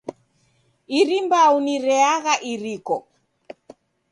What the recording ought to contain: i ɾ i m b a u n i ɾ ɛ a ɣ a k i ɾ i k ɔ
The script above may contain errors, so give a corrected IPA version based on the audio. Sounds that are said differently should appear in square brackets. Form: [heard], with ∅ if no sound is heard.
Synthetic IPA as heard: i ɾ i m b a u n i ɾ ɛ a ɣ a [ʔ] i ɾ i k ɔ